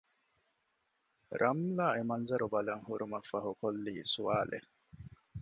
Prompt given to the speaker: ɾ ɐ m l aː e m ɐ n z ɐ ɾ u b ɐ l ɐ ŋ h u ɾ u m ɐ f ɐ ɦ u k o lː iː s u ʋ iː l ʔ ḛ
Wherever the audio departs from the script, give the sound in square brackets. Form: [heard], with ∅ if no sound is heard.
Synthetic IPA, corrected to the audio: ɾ ɐ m l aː e m ɐ n z ɐ ɾ u b ɐ l ɐ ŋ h u ɾ u m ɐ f ɐ ɦ u k o lː iː s u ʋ [aː] l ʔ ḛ